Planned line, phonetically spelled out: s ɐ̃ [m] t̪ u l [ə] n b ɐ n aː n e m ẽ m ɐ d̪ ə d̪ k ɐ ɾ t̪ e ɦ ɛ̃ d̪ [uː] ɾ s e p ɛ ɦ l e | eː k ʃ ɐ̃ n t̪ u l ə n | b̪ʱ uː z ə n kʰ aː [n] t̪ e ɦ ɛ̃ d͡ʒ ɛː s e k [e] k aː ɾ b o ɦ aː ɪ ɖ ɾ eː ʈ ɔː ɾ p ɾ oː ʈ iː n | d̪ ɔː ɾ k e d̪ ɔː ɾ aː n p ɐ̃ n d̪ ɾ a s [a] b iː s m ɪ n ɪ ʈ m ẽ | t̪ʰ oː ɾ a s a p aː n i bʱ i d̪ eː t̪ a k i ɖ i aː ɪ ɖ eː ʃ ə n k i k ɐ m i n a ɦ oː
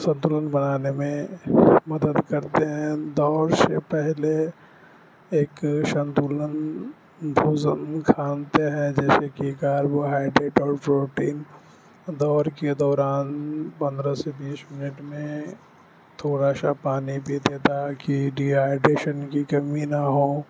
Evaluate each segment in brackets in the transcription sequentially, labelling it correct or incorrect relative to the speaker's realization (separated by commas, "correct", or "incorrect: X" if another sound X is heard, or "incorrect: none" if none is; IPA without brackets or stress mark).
incorrect: n, correct, incorrect: ɔː, correct, incorrect: i, incorrect: e